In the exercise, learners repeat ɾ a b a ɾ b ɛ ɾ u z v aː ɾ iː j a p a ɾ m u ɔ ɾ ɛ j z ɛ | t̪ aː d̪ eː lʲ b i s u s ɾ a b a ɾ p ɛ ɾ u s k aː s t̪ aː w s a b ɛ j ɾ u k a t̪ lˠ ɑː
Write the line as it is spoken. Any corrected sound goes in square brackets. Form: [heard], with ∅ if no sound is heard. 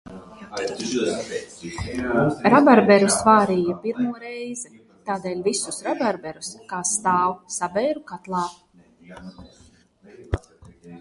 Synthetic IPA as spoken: ɾ a b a ɾ b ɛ ɾ u [s] v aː ɾ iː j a p [i] ɾ m u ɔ ɾ ɛ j z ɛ | t̪ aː d̪ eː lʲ [v] i s u s ɾ a b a ɾ [b] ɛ ɾ u s k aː s t̪ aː w s a b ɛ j ɾ u k a t̪ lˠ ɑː